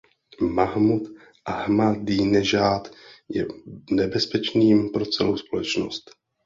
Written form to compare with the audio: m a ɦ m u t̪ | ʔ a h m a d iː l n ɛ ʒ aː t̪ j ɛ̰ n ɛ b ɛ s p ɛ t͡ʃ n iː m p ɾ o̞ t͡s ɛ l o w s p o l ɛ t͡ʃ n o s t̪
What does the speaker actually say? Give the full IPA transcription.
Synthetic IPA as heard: m a ɦ m u t̪ | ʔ a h m a d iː n ɛ ʒ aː t̪ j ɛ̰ n ɛ b ɛ s p ɛ t͡ʃ n iː m p ɾ o̞ t͡s ɛ l o w s p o l ɛ t͡ʃ n o s t̪